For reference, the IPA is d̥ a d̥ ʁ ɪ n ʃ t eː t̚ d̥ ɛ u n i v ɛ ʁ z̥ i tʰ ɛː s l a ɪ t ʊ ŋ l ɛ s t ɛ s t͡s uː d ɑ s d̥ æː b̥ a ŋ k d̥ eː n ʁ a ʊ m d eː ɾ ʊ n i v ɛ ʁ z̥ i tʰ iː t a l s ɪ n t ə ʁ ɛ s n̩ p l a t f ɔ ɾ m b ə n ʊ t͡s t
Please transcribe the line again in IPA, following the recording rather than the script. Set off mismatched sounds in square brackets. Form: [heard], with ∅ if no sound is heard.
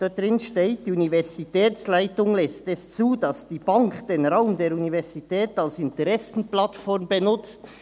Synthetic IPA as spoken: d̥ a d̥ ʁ ɪ n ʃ t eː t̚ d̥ [i] u n i v ɛ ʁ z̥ i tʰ ɛː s l a ɪ t ʊ ŋ l ɛ s t ɛ s t͡s uː d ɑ s d̥ [iː] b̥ a ŋ k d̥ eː n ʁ a ʊ m d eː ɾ [u] n i v ɛ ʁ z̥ i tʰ [ɛː] t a l s ɪ n t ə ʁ ɛ s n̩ p l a t f ɔ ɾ m b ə n ʊ t͡s t